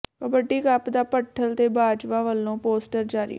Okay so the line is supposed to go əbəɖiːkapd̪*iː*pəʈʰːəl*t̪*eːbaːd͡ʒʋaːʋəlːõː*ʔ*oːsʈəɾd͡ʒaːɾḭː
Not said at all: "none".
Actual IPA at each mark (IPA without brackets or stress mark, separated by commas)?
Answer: aː, t̪, p